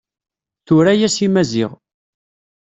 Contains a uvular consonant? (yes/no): yes